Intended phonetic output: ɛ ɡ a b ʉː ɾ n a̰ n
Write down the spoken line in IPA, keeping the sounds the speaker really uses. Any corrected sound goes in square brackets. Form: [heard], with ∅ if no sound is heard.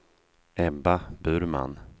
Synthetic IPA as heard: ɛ [b] a b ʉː ɾ [m] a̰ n